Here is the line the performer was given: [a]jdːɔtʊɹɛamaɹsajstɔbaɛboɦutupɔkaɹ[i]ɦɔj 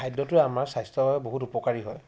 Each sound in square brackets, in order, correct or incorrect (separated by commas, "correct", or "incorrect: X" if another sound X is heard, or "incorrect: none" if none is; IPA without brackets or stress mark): correct, correct